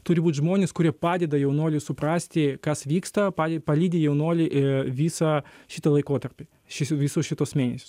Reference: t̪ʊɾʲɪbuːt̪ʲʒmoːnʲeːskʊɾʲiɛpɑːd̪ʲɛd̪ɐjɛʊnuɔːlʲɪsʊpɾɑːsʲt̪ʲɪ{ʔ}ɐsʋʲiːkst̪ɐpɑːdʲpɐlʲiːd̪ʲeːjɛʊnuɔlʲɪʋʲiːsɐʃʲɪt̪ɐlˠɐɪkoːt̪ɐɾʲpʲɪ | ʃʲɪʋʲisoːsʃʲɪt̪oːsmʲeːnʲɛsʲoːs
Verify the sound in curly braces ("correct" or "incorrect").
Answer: incorrect